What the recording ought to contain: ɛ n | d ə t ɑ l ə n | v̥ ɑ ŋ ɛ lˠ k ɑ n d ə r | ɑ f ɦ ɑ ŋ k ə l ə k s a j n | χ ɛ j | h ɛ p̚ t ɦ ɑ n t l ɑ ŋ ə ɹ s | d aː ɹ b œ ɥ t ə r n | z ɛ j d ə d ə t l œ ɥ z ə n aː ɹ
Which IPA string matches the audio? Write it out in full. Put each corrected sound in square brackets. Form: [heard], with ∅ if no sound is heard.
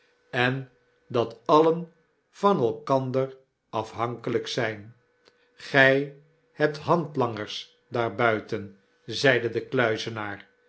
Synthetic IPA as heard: ɛ n | d [ɑ] t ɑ l ə n | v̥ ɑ [n] ɛ lˠ k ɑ n d ə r | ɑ f ɦ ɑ ŋ k ə l ə k s [ɛ] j n | χ ɛ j | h ɛ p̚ t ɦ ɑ n t l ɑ ŋ ə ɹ s | d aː ɹ b œ ɥ t ə [∅] n | z ɛ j d ə d ə [k] l œ ɥ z ə n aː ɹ